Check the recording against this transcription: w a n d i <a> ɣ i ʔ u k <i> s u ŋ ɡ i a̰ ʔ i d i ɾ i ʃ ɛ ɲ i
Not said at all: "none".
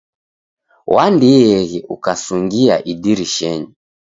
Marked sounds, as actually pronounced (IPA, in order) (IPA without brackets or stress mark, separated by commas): ɛ, a